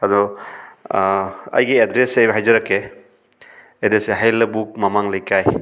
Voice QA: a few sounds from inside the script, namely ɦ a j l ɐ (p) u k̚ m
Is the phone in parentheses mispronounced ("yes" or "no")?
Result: yes